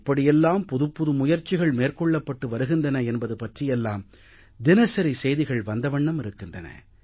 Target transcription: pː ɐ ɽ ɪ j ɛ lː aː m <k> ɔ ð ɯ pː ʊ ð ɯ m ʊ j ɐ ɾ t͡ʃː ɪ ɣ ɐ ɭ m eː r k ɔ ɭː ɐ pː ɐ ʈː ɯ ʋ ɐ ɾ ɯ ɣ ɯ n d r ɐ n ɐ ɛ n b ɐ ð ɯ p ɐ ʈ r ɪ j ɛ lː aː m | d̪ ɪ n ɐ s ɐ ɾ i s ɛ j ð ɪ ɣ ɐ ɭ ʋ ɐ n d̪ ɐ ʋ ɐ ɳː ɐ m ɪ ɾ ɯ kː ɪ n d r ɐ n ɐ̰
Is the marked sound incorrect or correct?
incorrect: p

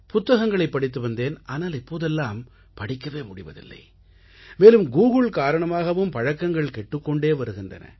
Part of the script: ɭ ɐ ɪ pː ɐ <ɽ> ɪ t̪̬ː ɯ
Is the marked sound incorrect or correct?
correct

